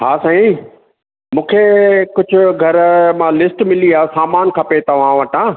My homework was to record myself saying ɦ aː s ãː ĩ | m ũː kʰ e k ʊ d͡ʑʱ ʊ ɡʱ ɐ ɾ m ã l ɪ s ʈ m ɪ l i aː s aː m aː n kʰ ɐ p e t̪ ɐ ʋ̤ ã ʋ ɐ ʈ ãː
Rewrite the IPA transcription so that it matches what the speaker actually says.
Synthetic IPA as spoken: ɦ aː s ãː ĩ | m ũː kʰ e k ʊ d͡ʑʱ ʊ ɡʱ ɐ ɾ m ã l ɪ s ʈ m ɪ l i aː s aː m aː n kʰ ɐ p e t̪ ɐ ʋ̤ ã ʋ ɐ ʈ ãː